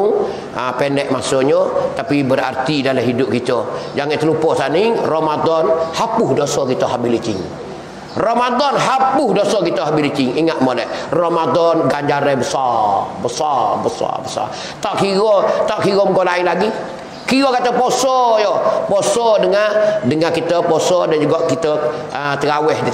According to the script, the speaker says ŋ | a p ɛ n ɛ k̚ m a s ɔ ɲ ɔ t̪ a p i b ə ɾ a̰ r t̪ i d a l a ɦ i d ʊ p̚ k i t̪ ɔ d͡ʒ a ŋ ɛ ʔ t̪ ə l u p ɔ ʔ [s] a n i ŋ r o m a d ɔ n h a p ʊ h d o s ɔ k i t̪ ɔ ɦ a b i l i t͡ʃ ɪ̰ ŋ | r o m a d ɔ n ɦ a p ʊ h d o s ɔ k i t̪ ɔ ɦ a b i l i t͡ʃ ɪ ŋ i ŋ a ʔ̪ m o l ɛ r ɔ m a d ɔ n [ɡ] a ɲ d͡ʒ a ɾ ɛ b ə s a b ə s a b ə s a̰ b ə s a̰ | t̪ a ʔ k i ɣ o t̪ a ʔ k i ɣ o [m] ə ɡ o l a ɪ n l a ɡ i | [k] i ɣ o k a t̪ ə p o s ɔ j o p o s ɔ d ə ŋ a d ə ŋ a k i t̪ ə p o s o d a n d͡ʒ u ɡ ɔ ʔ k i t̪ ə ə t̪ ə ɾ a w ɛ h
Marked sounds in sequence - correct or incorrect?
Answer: correct, correct, correct, correct

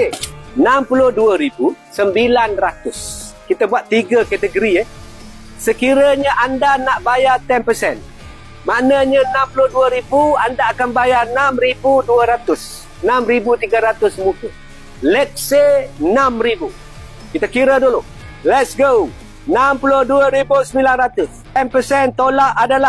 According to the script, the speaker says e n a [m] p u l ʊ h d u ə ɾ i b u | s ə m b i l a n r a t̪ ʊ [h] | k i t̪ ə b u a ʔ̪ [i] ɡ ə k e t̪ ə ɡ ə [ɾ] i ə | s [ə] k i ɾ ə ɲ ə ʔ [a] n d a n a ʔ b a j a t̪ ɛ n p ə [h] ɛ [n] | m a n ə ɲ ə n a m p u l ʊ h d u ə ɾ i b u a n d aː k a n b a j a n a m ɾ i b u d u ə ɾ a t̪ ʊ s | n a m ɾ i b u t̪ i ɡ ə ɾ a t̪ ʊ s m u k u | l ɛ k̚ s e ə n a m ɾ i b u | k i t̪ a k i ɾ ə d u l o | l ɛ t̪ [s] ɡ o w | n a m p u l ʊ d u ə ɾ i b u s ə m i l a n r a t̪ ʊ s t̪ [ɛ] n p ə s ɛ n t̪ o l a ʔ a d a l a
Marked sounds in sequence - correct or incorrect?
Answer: correct, incorrect: s, correct, correct, correct, correct, incorrect: s, correct, correct, correct

